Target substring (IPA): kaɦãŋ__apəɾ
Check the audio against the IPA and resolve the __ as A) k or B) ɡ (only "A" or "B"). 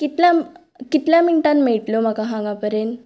B